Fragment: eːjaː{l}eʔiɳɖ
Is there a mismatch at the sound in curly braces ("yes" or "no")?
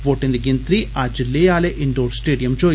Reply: no